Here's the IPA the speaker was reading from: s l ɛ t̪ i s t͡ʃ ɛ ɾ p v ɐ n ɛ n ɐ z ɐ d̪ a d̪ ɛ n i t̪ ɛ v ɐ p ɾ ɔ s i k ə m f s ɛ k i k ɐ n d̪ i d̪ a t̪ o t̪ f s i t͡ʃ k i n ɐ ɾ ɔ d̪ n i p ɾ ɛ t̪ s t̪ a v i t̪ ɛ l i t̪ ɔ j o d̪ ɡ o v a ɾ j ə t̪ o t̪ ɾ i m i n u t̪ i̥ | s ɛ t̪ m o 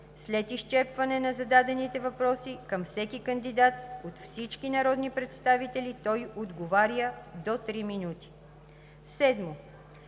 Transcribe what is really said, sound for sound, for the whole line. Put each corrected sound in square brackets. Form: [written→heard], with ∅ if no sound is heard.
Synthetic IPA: s l ɛ t̪ i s t͡ʃ ɛ ɾ p v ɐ n ɛ n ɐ z ɐ d̪ a d̪ ɛ n i t̪ ɛ v ɐ p ɾ ɔ s i k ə m f s ɛ k i k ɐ n d̪ i d̪ a t̪ o t̪ f s i t͡ʃ k i n ɐ ɾ ɔ d̪ n i p ɾ ɛ t̪ s t̪ a v i t̪ ɛ l i t̪ ɔ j o d̪ ɡ o v a ɾ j ə [t̪→d̪] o t̪ ɾ i m i n u t̪ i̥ | s ɛ [t̪→d̪] m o